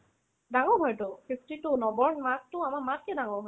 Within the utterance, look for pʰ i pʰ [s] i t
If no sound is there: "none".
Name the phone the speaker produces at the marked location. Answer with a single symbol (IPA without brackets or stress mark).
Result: t